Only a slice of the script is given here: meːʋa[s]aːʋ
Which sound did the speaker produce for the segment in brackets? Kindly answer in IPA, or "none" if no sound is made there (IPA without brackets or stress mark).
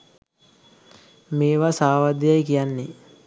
s